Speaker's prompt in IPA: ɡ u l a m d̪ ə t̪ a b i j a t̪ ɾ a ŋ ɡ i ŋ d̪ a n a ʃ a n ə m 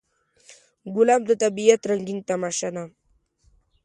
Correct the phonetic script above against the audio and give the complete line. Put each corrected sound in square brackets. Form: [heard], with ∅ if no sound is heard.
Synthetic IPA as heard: ɡ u l a m d̪ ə t̪ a b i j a t̪ ɾ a ŋ ɡ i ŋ [t̪] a [m] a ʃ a n [a] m

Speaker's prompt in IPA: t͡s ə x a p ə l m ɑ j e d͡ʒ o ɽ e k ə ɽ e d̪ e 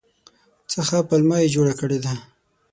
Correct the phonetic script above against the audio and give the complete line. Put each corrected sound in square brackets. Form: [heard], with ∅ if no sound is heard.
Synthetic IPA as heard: t͡s ə x a p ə l m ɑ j e d͡ʒ o ɽ [a] k ə ɽ e d̪ [a]

